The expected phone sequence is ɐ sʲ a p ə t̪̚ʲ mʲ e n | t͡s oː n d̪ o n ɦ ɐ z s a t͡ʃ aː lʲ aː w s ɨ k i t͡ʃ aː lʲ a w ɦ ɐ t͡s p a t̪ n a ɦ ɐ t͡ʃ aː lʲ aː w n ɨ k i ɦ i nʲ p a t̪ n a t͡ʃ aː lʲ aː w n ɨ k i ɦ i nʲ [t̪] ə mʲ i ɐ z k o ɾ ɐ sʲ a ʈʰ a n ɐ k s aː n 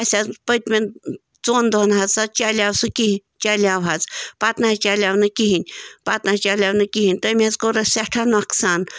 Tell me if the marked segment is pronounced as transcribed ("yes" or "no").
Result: yes